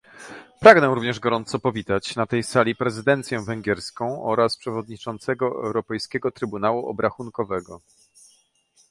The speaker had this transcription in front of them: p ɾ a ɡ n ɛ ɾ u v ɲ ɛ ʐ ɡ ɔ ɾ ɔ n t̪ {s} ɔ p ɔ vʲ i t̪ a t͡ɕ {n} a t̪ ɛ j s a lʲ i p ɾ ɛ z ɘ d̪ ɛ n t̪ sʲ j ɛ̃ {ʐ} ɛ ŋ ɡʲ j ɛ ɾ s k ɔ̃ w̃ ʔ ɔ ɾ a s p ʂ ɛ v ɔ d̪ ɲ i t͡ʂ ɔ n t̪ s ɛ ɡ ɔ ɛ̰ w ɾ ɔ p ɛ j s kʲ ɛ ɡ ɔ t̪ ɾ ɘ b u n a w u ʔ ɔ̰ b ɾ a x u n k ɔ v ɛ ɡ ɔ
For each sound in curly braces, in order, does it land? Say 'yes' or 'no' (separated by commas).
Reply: yes, yes, no